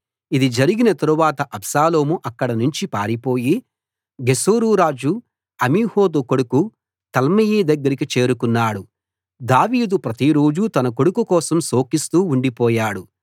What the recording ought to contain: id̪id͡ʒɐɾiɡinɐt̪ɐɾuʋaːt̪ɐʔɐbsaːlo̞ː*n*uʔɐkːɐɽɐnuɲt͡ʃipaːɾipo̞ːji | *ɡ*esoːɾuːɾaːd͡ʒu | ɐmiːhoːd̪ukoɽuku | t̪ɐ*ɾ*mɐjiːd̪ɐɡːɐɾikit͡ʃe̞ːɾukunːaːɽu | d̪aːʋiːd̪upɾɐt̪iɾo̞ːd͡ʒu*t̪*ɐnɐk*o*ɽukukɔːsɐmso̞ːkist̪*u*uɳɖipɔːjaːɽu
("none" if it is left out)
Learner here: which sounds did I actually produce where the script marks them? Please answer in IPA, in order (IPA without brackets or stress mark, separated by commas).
m, ɡ, l, t̪, o, uː